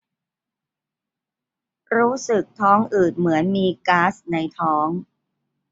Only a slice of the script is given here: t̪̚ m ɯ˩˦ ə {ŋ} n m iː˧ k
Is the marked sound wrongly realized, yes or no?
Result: yes